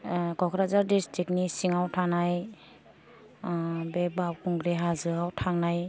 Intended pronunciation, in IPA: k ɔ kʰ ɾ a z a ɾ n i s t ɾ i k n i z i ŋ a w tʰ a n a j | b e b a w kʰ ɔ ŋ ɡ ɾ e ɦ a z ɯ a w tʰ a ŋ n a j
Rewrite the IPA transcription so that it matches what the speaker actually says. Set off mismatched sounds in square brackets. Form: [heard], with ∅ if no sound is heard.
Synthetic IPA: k ɔ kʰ ɾ a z a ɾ [d] i s t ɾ i k n i [s] i ŋ a w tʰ a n a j | b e b a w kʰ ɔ ŋ ɡ ɾ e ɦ a z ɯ a w tʰ a ŋ n a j